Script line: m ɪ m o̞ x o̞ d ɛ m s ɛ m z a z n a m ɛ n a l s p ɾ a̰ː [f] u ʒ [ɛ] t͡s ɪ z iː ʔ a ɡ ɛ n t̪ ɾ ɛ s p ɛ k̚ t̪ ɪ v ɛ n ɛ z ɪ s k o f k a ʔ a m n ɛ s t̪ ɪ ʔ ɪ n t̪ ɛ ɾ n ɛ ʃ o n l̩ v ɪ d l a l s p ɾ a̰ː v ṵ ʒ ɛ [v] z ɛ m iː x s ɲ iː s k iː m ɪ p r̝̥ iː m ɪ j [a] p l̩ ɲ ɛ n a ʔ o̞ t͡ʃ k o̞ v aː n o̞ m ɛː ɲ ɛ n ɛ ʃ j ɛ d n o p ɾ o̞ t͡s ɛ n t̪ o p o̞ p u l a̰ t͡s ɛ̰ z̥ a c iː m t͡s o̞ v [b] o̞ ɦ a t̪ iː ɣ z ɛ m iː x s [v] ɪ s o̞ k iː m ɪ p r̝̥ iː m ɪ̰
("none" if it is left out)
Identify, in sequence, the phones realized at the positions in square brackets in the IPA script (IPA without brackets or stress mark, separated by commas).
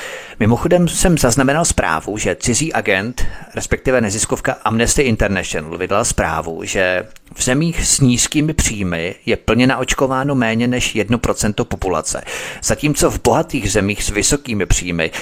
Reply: v, ɛ, v, ɛ, b, v